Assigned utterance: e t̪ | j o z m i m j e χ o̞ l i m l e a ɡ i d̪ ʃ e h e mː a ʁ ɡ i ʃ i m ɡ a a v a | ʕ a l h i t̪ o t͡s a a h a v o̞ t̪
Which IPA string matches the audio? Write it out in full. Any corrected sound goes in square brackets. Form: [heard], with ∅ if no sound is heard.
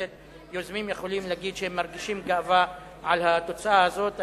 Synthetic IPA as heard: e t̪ | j o z m i m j e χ o̞ l i m l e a ɡ i d̪ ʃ e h e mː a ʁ ɡ i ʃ i m ɡ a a v a | ʕ a l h [a] t̪ o t͡s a a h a [z] o̞ t̪